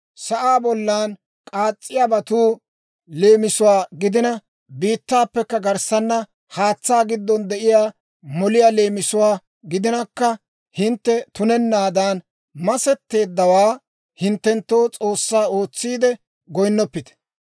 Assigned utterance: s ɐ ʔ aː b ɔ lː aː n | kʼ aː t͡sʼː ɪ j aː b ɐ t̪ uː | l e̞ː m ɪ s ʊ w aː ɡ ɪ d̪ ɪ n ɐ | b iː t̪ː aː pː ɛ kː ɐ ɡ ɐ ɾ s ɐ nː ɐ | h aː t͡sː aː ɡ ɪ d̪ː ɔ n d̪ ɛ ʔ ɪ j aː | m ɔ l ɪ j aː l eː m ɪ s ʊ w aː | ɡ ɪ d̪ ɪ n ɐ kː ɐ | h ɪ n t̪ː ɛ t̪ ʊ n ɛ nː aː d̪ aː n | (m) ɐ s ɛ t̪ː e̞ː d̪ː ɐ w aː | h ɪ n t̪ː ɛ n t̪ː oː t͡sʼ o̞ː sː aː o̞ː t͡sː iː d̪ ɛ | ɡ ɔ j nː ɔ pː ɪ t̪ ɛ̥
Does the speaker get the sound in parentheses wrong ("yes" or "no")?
no